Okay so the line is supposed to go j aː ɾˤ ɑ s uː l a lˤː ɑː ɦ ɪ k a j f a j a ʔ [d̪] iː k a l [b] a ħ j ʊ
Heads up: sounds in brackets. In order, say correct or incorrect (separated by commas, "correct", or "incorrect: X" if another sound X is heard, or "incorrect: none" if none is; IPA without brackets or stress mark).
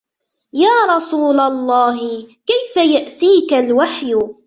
incorrect: t̪, incorrect: w